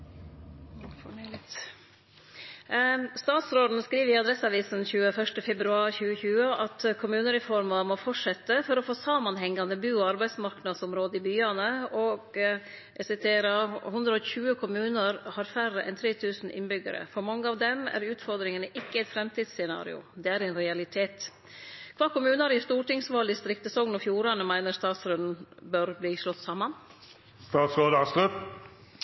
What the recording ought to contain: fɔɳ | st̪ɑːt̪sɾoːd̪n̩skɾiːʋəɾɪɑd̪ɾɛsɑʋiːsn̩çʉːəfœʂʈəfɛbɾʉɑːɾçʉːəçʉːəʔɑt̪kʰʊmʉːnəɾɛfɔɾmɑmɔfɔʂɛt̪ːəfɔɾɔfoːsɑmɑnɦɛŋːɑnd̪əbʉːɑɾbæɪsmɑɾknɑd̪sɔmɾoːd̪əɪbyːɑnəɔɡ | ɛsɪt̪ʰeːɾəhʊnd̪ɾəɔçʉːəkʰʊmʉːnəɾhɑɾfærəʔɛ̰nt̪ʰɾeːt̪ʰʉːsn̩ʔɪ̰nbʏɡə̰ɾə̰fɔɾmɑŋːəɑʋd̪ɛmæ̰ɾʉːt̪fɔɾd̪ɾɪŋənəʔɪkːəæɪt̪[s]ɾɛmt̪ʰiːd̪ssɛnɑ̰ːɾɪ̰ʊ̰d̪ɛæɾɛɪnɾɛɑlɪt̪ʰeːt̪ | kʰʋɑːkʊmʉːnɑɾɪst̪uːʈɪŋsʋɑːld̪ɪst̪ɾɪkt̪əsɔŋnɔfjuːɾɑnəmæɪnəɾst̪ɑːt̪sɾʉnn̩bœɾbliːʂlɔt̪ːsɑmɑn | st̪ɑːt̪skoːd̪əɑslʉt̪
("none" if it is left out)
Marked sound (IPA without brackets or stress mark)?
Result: f